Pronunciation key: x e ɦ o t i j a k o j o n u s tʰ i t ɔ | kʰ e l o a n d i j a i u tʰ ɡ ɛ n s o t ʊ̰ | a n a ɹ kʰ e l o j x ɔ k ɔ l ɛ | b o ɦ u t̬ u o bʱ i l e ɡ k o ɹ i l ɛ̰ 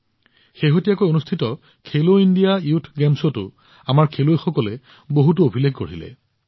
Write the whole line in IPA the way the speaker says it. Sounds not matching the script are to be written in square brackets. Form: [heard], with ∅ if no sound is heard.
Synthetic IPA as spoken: x e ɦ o t i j a k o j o n u s tʰ i t ɔ | kʰ e l o [i] n d i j a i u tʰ ɡ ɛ [m] s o t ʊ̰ | a [m] a ɹ kʰ e l o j x ɔ k ɔ l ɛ | b o ɦ u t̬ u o bʱ i l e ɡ k o ɹ i l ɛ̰